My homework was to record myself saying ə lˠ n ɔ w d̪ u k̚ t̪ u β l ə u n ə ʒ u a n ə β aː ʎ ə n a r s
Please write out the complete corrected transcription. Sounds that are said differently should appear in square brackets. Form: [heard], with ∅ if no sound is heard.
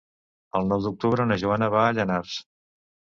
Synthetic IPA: ə lˠ n ɔ w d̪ u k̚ t̪ u β [ɾ] ə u n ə ʒ u a n ə β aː ʎ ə n a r s